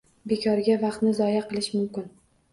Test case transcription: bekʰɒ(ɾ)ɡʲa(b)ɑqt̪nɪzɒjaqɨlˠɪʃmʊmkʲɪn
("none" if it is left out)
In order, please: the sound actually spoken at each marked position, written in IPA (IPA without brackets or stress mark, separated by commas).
ɾ, v